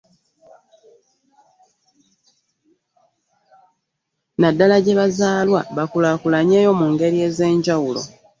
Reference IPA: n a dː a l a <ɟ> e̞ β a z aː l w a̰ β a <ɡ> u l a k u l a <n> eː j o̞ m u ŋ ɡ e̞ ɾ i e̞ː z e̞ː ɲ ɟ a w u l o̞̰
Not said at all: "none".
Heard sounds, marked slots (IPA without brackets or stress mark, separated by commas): ɟ, k, ɲ